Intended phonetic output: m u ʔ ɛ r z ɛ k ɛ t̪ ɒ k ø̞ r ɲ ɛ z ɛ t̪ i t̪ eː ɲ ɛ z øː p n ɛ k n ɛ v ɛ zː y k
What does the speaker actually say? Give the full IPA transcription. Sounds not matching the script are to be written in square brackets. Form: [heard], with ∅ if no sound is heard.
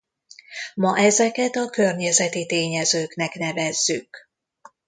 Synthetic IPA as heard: m [ɒ] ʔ ɛ [∅] z ɛ k ɛ t̪ ɒ k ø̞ r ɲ ɛ z ɛ t̪ i t̪ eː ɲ ɛ z øː [k] n ɛ k n ɛ v ɛ zː y k